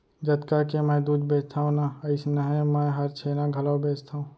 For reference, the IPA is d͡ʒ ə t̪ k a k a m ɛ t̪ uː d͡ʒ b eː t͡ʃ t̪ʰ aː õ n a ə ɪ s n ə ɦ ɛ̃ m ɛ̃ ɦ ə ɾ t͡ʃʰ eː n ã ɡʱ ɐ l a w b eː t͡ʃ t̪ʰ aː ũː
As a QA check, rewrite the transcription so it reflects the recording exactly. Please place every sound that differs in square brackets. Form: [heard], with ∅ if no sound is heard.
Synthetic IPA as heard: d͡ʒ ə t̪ k a k [e] m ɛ [d̪] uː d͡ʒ b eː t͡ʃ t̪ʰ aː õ n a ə ɪ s n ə ɦ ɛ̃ m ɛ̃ ɦ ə ɾ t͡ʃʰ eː n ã ɡʱ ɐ l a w b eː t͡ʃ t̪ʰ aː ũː